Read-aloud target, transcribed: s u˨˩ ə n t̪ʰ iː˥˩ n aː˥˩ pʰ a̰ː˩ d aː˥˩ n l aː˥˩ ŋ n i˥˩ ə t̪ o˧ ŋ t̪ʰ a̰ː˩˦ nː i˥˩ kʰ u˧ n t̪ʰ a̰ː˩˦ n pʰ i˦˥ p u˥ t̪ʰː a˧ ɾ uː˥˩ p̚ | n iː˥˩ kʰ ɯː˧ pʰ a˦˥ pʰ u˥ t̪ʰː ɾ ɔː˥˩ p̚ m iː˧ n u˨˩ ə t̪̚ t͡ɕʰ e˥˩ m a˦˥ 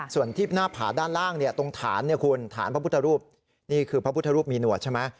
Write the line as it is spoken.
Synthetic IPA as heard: s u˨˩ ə n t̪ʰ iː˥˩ n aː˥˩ pʰ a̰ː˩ d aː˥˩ n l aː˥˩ ŋ n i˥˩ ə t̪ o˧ ŋ t̪ʰ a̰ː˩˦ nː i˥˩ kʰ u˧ n t̪ʰ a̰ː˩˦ n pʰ a˦˥ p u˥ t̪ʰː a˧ ɾ uː˥˩ p̚ | n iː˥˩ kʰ ɯː˧ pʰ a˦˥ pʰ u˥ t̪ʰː ɾ uː˥˩ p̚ m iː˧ n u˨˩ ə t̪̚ t͡ɕʰ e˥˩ m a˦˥